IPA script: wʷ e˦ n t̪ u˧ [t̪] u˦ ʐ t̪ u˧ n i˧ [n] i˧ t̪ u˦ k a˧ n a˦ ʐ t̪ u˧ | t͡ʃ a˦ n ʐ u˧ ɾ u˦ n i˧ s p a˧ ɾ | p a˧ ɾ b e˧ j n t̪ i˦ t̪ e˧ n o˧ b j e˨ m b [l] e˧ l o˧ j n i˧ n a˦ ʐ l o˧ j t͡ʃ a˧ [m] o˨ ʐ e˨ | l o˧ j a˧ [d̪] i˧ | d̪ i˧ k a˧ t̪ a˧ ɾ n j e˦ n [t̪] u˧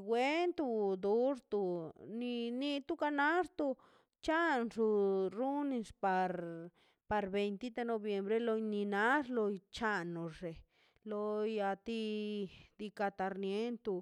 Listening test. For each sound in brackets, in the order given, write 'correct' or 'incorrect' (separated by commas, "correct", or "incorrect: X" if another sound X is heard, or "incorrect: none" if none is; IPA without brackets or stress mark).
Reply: incorrect: d̪, correct, incorrect: ɾ, incorrect: n, incorrect: t̪, correct